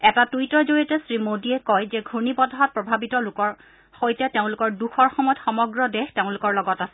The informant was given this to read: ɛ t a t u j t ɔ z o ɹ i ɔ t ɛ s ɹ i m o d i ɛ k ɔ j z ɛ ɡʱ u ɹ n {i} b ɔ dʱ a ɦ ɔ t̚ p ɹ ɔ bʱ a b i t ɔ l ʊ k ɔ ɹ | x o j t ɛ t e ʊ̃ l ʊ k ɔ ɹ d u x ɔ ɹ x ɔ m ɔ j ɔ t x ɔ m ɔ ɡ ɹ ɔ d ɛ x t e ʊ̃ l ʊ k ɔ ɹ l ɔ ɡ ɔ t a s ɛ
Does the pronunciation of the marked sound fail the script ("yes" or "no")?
no